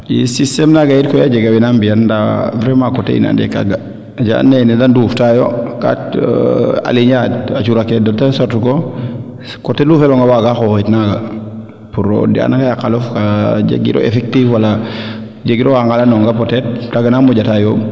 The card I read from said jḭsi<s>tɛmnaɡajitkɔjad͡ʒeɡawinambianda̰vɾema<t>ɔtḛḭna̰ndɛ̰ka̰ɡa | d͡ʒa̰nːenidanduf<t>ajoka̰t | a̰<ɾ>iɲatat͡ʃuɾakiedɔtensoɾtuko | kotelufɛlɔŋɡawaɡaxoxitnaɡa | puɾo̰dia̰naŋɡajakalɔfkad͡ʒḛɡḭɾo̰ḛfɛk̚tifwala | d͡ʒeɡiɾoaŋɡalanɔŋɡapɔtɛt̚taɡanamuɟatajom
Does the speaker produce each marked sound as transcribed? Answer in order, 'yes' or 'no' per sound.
yes, no, yes, no

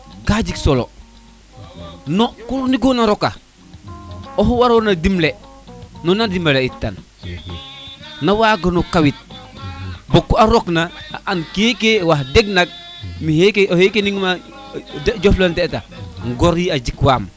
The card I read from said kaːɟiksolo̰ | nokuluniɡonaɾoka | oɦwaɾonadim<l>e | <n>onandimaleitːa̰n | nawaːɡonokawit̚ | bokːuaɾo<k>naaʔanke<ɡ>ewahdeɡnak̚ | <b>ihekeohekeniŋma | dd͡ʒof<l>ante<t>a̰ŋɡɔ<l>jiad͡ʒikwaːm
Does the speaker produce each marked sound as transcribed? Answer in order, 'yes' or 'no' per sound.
yes, yes, yes, no, no, yes, yes, no

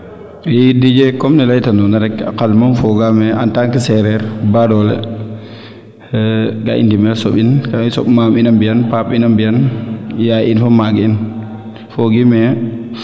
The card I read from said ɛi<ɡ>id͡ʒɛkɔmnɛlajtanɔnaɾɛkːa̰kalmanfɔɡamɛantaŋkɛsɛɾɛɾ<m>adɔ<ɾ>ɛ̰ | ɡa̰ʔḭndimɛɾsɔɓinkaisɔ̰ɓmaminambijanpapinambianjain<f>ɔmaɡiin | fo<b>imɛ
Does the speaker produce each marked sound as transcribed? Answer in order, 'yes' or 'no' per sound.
no, no, no, yes, no

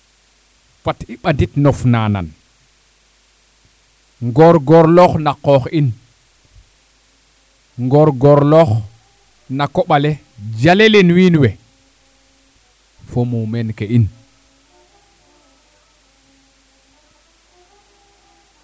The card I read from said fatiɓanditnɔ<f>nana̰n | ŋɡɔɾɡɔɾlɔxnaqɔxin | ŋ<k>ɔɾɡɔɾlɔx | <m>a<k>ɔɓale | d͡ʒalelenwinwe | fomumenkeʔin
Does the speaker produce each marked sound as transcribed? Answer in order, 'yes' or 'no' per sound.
yes, no, no, yes

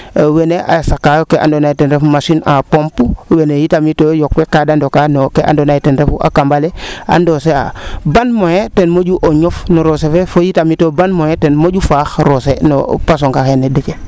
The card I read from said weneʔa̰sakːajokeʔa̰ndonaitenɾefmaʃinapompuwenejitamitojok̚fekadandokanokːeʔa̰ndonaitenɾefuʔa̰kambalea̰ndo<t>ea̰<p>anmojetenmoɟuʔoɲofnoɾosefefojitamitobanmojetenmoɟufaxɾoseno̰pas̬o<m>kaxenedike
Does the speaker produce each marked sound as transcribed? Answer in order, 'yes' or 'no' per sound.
no, no, no

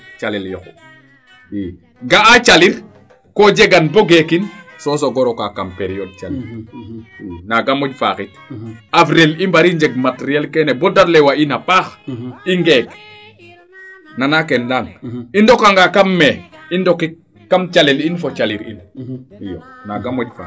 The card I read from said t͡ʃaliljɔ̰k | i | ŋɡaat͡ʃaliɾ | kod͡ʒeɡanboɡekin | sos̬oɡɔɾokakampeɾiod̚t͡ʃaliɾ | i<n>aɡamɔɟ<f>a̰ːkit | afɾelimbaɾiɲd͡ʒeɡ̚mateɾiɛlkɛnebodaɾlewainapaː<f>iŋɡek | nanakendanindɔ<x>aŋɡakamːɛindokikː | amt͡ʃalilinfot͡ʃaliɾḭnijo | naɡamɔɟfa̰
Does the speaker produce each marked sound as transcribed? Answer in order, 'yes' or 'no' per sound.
yes, yes, no, no

